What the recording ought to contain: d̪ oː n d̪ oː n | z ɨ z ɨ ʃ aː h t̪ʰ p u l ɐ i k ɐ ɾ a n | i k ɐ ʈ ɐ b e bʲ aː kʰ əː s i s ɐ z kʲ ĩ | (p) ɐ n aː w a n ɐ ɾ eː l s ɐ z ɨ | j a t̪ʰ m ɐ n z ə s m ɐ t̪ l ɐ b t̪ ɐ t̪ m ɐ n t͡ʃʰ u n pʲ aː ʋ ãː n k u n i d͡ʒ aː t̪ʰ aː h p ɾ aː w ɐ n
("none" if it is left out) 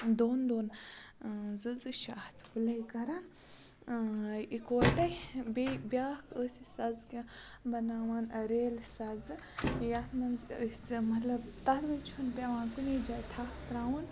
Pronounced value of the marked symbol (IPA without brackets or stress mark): b